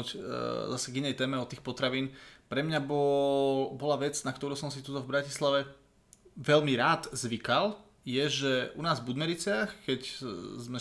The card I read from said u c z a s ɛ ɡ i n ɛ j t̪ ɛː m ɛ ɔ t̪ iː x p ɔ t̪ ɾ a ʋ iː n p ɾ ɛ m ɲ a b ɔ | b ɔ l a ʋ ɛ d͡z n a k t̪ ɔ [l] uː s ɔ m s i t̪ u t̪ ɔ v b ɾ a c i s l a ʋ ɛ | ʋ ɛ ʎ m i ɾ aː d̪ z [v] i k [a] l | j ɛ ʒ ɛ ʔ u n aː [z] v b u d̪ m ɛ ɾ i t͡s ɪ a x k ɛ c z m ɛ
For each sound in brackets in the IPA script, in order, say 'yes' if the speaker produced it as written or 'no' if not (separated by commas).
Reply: no, no, yes, yes